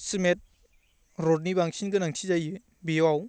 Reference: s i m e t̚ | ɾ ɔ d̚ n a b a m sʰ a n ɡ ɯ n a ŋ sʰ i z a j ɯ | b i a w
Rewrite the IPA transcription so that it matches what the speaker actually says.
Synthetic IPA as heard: s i m e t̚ | ɾ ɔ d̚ n i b a ŋ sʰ i n ɡ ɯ n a ŋ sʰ i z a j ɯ | b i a w